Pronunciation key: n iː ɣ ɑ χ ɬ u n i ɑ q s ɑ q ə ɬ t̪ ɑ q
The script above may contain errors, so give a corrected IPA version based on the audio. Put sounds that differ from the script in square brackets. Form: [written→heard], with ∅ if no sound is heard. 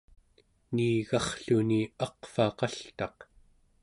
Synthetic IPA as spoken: n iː ɣ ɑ χ ɬ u n i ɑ q [s→f] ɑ q [ə→ɑ] ɬ t̪ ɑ q